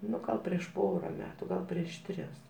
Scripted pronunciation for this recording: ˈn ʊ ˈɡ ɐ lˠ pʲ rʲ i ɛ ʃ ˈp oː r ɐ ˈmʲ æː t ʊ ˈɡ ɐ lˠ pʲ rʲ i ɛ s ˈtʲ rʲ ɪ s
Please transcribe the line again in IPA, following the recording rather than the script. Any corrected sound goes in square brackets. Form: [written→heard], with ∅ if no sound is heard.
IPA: ˈn ʊ ˈɡ ɐ lˠ pʲ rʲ i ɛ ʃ ˈp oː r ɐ ˈmʲ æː t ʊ ˈɡ ɐ lˠ pʲ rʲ i ɛ [s→ʃ] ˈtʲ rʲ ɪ s